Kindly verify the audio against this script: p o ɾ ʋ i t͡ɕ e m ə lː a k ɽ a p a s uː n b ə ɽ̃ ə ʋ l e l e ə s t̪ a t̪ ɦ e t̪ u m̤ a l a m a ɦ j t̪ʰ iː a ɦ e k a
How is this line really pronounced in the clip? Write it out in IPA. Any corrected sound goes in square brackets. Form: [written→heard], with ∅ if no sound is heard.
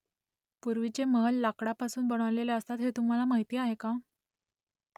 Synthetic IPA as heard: p [o→u] ɾ ʋ i t͡ɕ e m ə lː a k ɽ a p a s uː n b ə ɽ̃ ə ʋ l e l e ə s t̪ a t̪ ɦ e t̪ u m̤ a l a m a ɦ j [t̪ʰ→t̪] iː a ɦ e k a